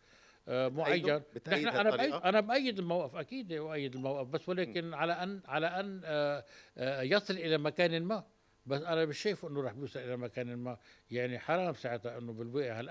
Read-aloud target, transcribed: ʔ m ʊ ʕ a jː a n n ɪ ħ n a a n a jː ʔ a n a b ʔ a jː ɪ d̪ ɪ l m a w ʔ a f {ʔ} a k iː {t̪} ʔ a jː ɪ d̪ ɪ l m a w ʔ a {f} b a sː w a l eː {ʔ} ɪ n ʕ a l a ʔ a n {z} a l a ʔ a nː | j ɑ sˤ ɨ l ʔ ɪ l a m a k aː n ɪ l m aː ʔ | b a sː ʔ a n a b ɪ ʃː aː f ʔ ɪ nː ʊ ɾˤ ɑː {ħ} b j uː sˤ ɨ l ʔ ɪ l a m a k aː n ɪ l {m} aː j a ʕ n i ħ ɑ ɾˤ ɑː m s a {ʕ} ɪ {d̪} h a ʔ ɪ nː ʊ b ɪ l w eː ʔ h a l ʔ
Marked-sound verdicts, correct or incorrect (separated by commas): correct, incorrect, correct, incorrect, incorrect, correct, correct, correct, incorrect